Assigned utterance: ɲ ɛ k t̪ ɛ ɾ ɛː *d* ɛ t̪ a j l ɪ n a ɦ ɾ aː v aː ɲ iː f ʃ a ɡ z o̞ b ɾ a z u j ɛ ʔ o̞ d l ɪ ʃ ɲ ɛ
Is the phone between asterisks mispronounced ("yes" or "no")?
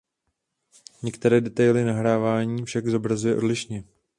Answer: no